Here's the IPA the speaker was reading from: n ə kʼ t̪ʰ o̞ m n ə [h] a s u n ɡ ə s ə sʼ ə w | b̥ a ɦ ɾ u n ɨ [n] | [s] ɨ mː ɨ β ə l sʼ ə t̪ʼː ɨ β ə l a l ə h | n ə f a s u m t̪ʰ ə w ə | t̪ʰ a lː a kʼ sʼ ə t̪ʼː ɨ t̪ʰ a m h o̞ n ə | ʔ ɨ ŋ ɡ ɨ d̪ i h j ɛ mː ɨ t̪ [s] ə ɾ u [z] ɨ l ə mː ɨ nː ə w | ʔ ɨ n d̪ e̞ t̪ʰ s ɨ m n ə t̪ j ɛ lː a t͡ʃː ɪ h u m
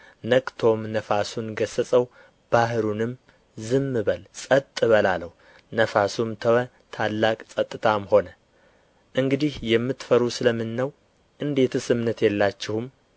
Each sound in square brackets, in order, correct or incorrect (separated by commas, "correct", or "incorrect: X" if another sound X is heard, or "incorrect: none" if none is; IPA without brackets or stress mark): incorrect: f, incorrect: m, incorrect: z, incorrect: f, incorrect: s